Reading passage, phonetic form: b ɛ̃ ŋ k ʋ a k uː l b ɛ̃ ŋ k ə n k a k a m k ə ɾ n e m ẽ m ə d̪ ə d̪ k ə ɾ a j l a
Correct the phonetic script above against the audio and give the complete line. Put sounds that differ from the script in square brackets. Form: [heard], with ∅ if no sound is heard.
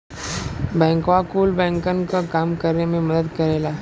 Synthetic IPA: b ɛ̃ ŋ k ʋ a k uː l b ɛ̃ ŋ k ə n k a k a m k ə ɾ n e m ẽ m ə d̪ ə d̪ k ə ɾ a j l a